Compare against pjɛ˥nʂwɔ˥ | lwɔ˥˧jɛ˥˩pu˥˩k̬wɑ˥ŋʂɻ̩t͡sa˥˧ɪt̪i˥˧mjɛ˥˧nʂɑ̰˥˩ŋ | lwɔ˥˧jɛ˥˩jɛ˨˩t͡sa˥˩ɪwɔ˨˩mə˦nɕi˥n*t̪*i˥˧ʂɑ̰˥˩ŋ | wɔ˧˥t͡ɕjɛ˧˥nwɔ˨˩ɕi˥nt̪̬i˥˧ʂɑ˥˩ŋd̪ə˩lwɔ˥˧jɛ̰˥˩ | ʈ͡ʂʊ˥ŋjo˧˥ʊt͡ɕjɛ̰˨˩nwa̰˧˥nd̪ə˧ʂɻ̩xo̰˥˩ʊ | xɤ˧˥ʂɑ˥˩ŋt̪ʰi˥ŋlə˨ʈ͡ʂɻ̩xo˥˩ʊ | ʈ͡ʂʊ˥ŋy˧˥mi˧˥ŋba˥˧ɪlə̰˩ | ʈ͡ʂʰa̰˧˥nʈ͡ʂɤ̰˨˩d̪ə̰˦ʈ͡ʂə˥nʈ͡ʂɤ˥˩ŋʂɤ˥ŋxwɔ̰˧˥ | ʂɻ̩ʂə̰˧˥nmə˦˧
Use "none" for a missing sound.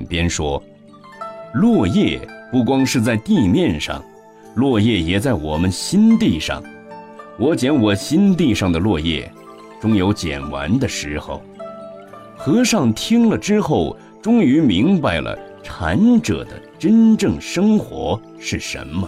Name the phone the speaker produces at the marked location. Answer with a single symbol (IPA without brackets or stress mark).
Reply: t̪